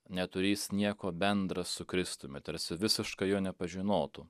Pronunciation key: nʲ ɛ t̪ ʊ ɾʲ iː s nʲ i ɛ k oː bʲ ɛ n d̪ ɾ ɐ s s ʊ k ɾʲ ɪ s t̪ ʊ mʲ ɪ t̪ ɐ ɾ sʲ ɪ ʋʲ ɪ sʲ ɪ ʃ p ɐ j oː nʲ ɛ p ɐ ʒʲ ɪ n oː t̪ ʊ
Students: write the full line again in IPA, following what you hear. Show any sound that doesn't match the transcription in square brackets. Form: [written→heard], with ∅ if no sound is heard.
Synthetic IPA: nʲ ɛ t̪ ʊ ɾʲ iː s nʲ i ɛ k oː bʲ ɛ n d̪ ɾ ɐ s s ʊ k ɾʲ ɪ s t̪ ʊ mʲ ɪ t̪ ɐ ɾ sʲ ɪ ʋʲ ɪ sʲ ɪ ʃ [p→k] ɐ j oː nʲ ɛ p ɐ ʒʲ ɪ n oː t̪ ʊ